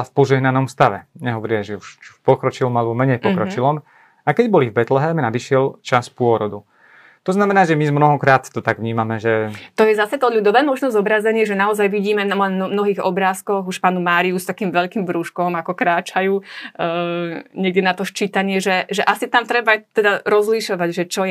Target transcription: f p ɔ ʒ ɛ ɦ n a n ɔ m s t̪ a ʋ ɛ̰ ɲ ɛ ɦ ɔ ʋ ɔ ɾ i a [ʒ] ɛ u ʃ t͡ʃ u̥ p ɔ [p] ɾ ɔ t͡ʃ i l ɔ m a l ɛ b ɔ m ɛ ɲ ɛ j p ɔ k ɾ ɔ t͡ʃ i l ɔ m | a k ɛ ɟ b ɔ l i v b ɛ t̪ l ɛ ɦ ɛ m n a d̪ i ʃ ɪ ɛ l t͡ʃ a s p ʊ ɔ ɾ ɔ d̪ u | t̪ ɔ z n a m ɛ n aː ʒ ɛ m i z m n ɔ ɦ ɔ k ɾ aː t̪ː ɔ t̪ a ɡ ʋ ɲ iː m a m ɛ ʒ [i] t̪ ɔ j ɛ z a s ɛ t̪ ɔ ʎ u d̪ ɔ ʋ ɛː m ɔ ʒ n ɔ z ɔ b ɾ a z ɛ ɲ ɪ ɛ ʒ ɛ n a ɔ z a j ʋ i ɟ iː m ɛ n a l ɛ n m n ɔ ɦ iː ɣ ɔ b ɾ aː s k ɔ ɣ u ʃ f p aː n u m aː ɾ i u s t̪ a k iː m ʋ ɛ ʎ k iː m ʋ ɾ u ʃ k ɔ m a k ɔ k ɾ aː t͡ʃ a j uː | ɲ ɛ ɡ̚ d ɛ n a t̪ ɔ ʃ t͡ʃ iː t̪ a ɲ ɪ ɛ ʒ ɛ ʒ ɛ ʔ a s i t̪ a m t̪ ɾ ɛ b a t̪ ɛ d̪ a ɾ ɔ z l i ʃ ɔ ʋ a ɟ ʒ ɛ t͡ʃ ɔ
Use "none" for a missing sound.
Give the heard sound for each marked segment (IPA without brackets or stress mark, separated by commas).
ʒ, k, ɛ